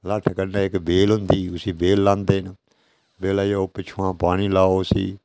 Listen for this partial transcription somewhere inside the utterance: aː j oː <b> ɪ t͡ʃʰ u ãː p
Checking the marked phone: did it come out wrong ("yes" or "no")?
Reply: yes